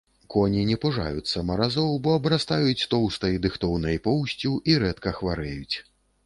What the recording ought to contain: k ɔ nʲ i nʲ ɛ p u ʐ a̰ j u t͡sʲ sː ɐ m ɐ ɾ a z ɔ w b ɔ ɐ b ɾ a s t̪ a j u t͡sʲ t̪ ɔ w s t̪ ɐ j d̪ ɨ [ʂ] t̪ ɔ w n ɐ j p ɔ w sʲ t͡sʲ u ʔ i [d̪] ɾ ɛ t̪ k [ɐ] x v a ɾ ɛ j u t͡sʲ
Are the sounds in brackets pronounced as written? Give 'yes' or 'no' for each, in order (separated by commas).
no, no, yes